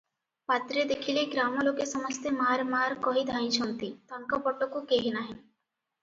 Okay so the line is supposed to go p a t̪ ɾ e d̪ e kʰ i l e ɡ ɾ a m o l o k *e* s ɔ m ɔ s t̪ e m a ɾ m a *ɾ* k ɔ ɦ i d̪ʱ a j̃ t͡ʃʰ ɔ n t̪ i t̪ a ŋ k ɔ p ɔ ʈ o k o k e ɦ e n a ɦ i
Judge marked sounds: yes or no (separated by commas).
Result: yes, yes